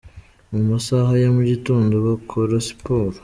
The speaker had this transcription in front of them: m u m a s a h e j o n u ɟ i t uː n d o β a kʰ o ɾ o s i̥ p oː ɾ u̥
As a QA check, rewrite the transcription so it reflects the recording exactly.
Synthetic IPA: m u m a s a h a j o m u ɟ i t uː n d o β a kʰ o ɾ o s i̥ p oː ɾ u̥